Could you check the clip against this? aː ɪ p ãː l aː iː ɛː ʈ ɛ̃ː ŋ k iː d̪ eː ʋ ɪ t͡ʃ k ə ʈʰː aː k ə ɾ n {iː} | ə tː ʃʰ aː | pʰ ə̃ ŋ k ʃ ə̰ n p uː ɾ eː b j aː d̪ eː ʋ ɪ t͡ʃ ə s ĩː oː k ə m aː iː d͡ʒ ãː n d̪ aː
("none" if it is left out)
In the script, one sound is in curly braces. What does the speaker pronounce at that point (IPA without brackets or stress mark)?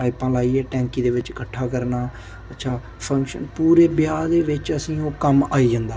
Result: aː